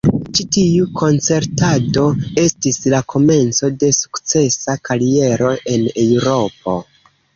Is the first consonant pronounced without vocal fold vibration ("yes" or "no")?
yes